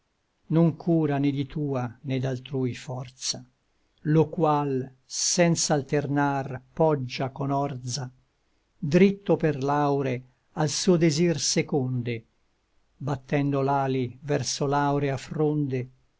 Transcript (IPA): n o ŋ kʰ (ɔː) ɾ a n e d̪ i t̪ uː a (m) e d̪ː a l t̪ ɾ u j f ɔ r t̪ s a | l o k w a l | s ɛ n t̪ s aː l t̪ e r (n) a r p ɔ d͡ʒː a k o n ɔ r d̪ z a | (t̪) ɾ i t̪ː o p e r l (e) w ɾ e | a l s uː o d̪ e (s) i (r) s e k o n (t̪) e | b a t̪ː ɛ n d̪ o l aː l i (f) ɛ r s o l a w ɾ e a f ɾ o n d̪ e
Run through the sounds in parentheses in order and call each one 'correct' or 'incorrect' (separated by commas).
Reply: incorrect, incorrect, correct, incorrect, incorrect, incorrect, correct, incorrect, incorrect